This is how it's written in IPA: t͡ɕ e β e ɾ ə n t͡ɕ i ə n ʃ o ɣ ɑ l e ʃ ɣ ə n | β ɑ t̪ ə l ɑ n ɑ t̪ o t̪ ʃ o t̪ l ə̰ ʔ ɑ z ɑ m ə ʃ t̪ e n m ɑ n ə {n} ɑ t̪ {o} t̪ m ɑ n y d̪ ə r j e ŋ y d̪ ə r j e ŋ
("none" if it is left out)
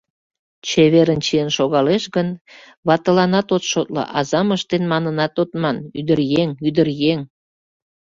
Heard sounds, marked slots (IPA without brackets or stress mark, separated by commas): n, o